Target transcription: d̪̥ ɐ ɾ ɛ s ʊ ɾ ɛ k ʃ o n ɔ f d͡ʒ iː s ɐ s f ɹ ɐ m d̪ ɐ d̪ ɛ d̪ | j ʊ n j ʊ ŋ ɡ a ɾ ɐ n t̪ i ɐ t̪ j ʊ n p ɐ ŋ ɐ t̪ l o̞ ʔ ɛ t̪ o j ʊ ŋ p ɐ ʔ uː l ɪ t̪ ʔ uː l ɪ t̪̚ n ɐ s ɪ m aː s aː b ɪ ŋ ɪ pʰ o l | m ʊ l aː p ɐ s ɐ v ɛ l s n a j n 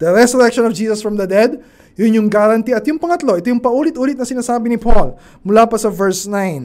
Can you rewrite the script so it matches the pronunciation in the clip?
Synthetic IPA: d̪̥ ɐ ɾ ɛ s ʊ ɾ ɛ k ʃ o n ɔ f d͡ʒ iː s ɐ s f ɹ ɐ m d̪ ɐ d̪ ɛ d̪ | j ʊ n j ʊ ŋ ɡ a ɾ ɐ n t̪ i ɐ t̪ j ʊ ŋ p ɐ ŋ ɐ t̪ l o̞ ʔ ɛ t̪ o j ʊ ŋ p ɐ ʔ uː l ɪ t̪ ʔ uː l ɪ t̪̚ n ɐ s ɪ n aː s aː b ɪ n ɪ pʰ o l | m ʊ l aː p ɐ s ɐ v ɛ ɹ s n a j n